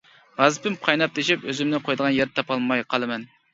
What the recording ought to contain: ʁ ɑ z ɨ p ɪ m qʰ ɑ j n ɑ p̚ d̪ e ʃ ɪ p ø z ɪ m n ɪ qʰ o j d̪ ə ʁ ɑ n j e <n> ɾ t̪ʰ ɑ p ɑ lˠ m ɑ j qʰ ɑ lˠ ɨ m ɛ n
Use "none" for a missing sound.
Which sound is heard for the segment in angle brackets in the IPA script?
none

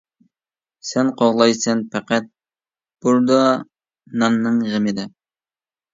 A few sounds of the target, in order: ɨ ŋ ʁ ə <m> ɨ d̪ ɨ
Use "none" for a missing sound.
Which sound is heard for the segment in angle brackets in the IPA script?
m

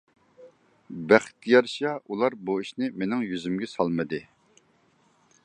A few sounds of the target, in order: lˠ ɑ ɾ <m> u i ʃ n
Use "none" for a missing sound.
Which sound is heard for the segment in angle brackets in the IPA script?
b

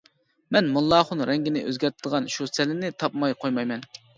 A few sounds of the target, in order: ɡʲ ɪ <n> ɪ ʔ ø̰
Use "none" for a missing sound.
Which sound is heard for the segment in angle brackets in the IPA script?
n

